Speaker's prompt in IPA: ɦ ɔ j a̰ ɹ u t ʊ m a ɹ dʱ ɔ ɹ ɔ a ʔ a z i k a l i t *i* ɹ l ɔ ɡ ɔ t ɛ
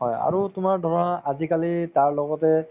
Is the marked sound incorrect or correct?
incorrect: a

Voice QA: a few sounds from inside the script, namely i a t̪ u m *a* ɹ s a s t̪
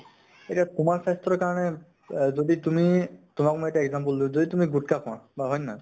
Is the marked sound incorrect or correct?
correct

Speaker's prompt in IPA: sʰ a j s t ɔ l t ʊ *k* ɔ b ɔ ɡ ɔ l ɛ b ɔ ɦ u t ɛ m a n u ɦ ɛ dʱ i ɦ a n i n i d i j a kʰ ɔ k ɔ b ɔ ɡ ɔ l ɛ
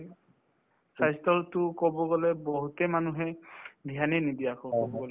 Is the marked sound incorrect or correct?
correct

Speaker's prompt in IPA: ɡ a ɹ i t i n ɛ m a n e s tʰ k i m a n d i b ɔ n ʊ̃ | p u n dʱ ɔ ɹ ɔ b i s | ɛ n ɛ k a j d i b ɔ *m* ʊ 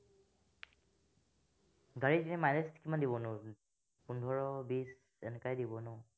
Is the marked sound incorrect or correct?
incorrect: n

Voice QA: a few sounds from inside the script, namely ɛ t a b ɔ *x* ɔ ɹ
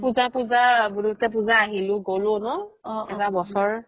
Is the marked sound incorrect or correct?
incorrect: s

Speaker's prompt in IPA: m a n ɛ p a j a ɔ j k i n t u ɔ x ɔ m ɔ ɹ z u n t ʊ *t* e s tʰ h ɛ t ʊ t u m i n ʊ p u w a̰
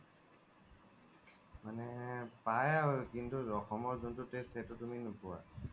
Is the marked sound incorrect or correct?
correct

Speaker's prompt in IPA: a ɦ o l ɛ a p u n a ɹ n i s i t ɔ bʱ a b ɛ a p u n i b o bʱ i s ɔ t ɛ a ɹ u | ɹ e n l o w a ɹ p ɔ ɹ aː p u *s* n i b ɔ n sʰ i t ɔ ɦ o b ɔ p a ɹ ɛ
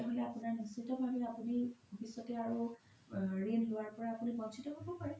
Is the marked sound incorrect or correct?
incorrect: none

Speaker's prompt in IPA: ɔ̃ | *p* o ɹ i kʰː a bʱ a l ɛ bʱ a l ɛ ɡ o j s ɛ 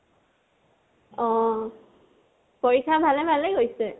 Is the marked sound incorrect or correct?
correct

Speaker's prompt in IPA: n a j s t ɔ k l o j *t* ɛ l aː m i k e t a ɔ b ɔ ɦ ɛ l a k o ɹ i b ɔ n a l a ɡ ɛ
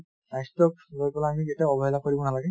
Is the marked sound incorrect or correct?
incorrect: p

